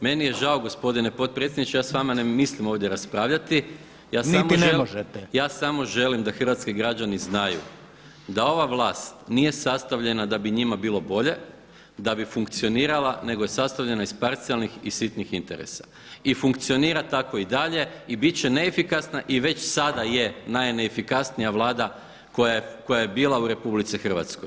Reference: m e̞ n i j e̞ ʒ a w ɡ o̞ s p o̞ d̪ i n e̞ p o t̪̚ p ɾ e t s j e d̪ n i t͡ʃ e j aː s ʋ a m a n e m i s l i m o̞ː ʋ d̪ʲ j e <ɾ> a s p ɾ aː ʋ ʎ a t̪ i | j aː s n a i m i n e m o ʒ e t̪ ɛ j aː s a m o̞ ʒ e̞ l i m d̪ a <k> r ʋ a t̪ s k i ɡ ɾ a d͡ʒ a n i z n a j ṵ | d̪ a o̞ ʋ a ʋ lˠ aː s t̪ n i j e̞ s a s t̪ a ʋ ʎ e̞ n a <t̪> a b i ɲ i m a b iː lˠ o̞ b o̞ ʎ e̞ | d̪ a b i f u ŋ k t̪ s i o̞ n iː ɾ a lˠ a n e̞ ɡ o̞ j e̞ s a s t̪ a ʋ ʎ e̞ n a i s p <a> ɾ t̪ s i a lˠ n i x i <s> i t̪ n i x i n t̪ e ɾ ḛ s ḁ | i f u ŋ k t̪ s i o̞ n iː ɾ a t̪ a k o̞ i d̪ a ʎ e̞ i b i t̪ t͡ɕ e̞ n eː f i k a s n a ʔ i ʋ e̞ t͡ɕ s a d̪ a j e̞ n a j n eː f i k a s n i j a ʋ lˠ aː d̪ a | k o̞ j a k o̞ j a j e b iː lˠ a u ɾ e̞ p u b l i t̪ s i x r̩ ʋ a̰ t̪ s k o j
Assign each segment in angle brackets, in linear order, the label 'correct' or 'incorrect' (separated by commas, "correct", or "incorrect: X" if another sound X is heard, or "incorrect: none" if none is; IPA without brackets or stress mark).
correct, incorrect: x, incorrect: d̪, correct, correct